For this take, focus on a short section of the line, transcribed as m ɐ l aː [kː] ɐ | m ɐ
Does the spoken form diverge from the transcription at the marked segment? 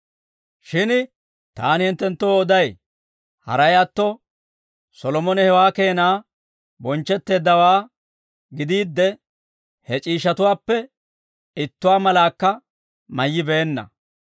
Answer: no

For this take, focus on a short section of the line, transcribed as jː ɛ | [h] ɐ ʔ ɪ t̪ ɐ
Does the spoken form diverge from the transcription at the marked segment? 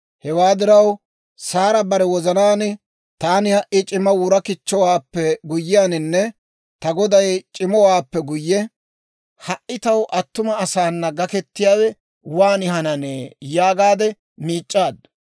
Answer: no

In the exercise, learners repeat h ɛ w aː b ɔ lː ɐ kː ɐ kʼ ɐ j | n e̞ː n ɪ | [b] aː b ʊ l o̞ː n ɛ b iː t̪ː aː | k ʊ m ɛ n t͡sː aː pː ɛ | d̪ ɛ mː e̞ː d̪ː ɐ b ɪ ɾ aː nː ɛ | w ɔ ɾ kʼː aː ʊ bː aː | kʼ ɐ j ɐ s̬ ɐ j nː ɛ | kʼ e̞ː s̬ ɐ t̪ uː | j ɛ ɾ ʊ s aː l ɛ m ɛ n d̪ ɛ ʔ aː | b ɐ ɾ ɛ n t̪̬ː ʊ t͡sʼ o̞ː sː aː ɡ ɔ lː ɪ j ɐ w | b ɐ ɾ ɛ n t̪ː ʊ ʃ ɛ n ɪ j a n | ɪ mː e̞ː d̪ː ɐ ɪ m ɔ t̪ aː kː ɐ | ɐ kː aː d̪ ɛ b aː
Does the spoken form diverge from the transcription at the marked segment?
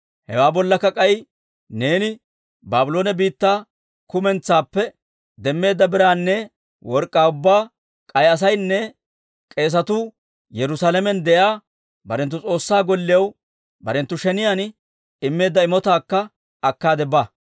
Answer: no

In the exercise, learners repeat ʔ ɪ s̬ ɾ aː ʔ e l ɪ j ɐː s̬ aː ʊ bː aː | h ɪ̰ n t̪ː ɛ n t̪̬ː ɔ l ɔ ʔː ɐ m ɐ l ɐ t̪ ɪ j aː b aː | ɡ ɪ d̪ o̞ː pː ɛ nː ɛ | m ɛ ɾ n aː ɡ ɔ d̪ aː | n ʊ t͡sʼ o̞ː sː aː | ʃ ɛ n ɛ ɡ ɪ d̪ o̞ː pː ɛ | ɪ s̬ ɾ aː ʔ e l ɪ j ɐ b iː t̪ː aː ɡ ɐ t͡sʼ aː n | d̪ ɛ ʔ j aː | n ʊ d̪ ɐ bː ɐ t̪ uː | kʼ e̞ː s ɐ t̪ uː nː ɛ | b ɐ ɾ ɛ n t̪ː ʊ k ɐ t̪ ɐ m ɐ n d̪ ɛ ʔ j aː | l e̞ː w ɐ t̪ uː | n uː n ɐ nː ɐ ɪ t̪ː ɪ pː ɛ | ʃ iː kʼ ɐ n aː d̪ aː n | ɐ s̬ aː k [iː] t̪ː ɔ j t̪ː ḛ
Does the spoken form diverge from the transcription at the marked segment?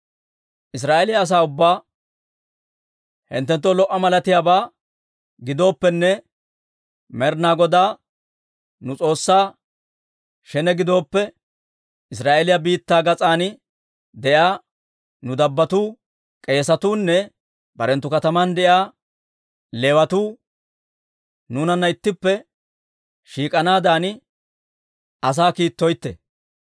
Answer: no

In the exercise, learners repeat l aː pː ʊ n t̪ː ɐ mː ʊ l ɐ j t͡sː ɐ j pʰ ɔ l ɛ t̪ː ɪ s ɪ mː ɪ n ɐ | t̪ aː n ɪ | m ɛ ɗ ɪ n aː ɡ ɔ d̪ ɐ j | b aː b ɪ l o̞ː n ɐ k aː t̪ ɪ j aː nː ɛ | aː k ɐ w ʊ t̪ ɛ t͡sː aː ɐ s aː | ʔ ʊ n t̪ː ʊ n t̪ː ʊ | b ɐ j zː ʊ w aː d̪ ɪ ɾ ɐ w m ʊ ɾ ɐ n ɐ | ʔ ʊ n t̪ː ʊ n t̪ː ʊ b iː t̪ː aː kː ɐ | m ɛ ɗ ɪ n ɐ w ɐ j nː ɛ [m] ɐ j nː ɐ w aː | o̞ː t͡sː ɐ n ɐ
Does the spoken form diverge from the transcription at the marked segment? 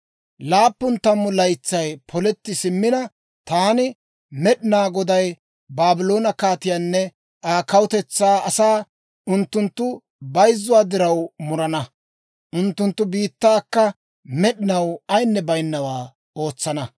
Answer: yes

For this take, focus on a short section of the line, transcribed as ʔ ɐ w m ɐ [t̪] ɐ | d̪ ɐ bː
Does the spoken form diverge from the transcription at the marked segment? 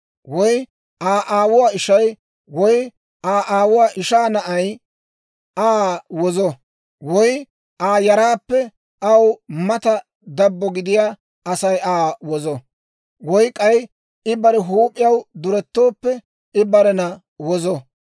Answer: no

